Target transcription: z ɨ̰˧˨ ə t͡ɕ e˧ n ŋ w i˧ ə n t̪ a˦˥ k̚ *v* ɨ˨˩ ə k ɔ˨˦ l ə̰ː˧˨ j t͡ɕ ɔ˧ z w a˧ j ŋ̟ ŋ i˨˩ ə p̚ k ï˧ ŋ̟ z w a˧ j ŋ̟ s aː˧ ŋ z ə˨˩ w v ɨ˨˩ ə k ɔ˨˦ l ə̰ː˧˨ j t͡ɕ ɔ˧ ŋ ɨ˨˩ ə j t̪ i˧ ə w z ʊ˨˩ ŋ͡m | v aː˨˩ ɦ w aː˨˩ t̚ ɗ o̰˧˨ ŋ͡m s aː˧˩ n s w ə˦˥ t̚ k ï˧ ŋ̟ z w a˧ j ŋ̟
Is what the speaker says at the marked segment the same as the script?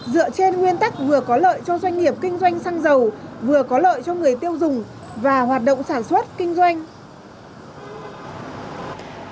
yes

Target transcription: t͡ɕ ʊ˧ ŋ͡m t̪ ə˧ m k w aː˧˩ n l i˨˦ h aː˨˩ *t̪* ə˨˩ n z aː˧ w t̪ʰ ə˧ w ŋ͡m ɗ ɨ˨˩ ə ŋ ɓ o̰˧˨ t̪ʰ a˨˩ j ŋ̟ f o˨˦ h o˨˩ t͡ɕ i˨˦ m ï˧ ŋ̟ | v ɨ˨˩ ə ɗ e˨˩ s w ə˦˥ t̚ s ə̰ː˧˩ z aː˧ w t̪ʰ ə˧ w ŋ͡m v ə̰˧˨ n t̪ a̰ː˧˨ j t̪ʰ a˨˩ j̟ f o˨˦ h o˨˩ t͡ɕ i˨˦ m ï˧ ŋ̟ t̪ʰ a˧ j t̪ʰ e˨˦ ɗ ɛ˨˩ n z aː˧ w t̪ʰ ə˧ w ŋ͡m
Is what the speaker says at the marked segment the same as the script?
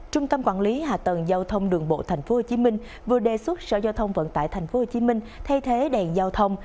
yes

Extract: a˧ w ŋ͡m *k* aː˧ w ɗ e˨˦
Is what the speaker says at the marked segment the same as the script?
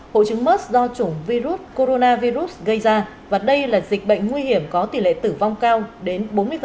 yes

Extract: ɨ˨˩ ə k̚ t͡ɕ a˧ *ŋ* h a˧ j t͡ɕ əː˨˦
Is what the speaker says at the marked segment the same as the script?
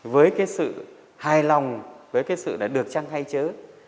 yes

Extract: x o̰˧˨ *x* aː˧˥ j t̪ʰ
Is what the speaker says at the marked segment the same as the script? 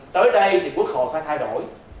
no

